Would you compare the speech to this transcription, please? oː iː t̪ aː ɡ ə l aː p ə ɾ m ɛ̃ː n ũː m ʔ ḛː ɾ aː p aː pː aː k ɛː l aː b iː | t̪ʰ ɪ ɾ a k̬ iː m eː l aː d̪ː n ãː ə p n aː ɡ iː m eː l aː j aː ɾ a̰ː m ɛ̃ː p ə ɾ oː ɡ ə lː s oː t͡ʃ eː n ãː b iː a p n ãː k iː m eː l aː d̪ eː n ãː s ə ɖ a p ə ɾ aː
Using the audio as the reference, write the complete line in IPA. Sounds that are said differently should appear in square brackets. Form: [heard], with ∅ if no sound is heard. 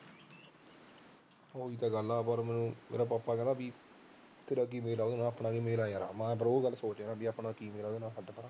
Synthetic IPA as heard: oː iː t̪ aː ɡ ə l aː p ə ɾ m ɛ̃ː n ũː m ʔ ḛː ɾ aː p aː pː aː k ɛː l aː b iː | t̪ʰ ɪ ɾ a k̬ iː m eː l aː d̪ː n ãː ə p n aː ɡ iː m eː l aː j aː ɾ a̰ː m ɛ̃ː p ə ɾ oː ɡ ə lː s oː t͡ʃ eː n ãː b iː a p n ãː k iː m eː l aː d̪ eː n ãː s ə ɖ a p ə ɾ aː